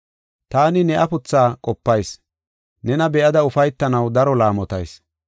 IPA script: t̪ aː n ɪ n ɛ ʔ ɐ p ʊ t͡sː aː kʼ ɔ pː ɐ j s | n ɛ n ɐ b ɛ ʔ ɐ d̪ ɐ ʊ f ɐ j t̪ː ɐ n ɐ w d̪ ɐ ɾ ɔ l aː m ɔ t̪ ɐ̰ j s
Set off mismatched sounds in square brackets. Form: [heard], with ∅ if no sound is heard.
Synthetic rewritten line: t̪ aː n ɪ n ɛ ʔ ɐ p ʊ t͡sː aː kʼ ɔ pː ɐ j s | n ɛ n ɐ b ɛ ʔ ɐ d̪ ɐ ʊ f ɐ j t̪ː ɐ n ɐ w d̪ ɐ ɾ ɔ l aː m ɔ t̪ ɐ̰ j s